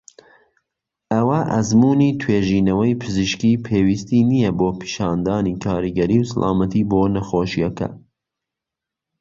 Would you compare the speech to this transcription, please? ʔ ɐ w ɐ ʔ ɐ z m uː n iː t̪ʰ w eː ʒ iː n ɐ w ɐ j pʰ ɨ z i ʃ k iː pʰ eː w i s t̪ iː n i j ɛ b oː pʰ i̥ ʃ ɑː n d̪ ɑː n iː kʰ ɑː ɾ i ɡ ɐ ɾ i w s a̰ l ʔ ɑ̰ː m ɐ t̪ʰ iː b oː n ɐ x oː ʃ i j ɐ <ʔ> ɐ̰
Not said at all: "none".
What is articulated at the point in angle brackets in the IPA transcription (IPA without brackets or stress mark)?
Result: k